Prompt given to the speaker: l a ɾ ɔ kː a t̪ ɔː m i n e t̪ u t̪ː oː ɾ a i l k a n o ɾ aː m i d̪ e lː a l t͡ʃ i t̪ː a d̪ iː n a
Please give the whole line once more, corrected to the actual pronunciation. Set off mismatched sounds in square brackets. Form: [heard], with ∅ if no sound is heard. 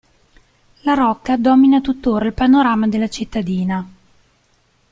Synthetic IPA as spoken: l a ɾ ɔ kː a [d̪] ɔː m i n [a] t̪ u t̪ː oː ɾ a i l [p] a n o ɾ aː m [a] d̪ e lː a [∅] t͡ʃ i t̪ː a d̪ iː n a